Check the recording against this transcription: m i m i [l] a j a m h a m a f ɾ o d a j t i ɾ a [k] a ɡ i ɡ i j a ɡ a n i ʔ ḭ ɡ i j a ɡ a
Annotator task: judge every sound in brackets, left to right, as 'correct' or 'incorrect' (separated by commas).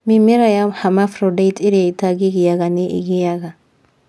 incorrect, incorrect